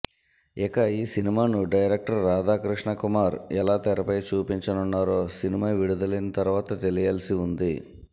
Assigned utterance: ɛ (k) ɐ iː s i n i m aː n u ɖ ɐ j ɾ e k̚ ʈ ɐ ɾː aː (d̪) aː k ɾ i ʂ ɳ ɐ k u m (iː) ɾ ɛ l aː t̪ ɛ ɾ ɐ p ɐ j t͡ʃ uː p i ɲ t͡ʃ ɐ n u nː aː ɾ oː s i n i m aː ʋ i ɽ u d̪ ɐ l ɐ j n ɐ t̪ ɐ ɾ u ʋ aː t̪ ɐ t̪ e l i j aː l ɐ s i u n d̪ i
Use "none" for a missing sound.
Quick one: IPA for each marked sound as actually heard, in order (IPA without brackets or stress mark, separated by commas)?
k, d̪, aː